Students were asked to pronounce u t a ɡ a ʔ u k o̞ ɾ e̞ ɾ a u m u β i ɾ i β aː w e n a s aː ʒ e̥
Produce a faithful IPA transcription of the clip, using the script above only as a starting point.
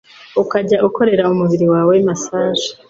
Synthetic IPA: u k a ɟ a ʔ u k o̞ ɾ e̞ ɾ a u m u β i ɾ i w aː w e m a s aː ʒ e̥